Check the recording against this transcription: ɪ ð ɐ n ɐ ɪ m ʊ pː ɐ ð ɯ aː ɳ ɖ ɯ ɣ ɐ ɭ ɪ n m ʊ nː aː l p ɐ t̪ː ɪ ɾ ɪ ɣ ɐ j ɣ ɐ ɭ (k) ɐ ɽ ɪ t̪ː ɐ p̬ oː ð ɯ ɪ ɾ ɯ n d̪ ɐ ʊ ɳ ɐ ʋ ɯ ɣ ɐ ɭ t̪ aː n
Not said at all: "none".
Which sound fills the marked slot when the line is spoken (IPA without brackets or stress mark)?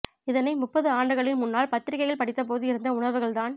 p